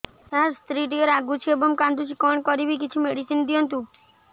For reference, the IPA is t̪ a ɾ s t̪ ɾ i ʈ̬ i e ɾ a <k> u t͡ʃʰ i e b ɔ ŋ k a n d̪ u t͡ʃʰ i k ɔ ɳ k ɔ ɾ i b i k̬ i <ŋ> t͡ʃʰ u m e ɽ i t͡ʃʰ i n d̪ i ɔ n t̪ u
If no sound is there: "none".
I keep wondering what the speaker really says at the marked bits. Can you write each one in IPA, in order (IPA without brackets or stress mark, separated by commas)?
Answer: ɡ, none